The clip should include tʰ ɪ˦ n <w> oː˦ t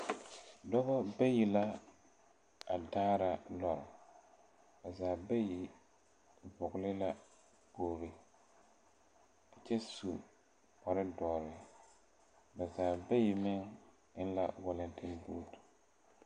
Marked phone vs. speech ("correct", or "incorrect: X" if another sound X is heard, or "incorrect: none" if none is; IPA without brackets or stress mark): incorrect: b